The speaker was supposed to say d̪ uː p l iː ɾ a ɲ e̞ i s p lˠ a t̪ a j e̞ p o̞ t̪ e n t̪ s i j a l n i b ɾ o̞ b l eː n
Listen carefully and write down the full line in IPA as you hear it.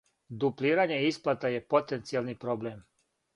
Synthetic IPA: d̪ u p l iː ɾ a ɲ e̞ i s p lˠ a t̪ a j e̞ p o̞ t̪ e n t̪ s i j a l n i p ɾ o̞ b l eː m